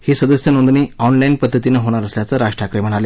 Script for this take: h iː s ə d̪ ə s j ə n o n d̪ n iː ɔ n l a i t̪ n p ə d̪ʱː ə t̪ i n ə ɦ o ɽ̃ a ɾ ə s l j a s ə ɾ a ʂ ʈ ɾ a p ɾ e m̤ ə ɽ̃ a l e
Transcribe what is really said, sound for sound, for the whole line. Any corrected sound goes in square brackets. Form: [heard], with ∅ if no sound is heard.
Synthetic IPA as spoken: h iː s ə d̪ ə s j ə n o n d̪ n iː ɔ n l a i [∅] n p ə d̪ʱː ə t̪ i n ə ɦ o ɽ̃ a ɾ ə s l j a [t͡s] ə ɾ a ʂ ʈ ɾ a [k] ɾ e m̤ ə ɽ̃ a l e